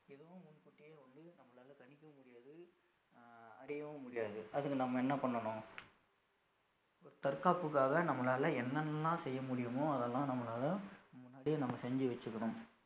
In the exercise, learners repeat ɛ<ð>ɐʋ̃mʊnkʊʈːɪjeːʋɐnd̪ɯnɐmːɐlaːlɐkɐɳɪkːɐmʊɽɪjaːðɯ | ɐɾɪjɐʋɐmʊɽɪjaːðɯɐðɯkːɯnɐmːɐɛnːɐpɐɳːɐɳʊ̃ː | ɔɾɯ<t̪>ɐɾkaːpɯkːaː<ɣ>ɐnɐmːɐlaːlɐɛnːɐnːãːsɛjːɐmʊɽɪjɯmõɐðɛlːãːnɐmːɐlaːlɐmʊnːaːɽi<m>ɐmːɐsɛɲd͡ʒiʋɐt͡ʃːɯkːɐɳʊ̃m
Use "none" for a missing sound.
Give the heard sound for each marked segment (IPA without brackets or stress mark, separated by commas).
ð, t̪, ɣ, n